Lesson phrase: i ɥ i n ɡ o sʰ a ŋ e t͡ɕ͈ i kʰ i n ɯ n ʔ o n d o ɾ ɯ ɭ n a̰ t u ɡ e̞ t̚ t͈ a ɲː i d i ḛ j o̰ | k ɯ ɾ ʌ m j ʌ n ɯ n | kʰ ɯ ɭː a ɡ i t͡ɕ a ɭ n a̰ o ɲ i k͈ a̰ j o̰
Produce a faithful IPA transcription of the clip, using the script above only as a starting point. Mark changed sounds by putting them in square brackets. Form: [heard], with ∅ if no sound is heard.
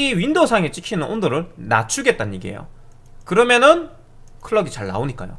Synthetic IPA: i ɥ i n [d] o sʰ a ŋ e t͡ɕ͈ i kʰ i n ɯ n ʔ o n d o ɾ ɯ ɭ n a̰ [t͡ɕʰ] u ɡ e̞ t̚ t͈ a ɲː i [ɡ] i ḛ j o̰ | k ɯ ɾ ʌ m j ʌ n ɯ n | kʰ ɯ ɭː [ʌ] ɡ i t͡ɕ a ɭ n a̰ o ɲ i k͈ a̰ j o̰